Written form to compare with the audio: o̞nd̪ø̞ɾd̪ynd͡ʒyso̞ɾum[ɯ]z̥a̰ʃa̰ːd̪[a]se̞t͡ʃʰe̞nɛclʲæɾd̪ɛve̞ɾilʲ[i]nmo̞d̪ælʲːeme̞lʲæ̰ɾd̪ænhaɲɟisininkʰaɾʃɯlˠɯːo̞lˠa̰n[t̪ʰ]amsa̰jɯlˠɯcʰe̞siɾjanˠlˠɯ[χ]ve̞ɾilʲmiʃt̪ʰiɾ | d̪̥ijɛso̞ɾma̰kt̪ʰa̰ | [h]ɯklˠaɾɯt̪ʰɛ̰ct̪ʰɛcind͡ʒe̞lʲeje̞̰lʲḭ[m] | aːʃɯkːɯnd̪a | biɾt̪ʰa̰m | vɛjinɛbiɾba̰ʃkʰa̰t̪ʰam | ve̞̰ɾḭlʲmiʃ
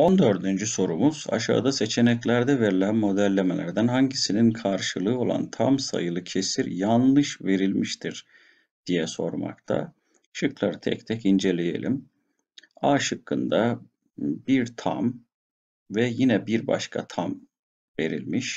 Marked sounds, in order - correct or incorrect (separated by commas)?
incorrect, correct, incorrect, correct, incorrect, incorrect, correct